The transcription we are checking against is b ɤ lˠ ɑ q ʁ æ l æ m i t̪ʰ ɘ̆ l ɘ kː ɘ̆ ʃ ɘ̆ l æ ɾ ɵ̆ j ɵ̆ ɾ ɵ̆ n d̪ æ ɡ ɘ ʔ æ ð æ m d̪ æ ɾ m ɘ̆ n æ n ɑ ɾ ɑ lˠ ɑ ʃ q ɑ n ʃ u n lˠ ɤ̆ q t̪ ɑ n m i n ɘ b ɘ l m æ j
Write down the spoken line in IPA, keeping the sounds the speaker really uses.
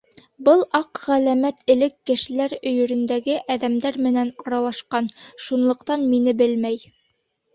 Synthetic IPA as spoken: b ɤ lˠ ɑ q ʁ æ l æ m æ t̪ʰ ɘ̆ l ɘ kː ɘ̆ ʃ ɘ̆ l æ ɾ ɵ̆ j ɵ̆ ɾ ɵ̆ n d̪ æ ɡ ɘ ʔ æ ð æ m d̪ æ ɾ m ɘ̆ n æ n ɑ ɾ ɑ lˠ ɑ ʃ q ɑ n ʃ u n lˠ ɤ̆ q t̪ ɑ n m i n ɘ b ɘ l m æ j